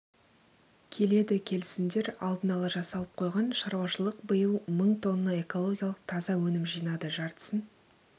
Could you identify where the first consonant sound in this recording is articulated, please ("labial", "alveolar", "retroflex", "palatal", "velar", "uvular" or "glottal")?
velar